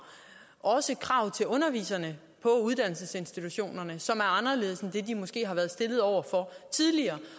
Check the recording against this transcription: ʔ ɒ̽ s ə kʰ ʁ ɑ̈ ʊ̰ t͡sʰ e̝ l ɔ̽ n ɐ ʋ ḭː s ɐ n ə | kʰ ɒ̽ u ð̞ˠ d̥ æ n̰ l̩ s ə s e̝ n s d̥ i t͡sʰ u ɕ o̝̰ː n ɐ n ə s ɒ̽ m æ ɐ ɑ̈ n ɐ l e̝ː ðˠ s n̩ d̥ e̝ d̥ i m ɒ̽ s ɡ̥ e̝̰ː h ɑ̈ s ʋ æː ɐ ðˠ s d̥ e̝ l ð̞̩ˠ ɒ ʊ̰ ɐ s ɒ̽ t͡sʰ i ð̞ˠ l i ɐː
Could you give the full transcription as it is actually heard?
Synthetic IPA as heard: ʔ ɒ̽ s ə kʰ ʁ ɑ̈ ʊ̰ t͡sʰ e̝ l ɔ̽ n ɐ ʋ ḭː s ɐ n ə | pʰ ɒ̽ u ð̞ˠ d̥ æ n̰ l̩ s ə s e̝ n s d̥ i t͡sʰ u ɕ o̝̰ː n ɐ n ə s ɒ̽ m æ ɐ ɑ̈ n ɐ l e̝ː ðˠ s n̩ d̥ e̝ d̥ i m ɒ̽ s ɡ̥ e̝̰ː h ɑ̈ ʋ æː ɐ ðˠ s d̥ e̝ l ð̞̩ˠ ɒ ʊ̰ ɐ f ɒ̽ t͡sʰ i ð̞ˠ l i ɐː